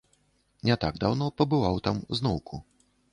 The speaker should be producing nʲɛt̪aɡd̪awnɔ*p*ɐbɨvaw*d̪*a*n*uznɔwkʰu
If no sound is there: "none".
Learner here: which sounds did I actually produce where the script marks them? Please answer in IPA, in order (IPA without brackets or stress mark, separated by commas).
p, t̪, m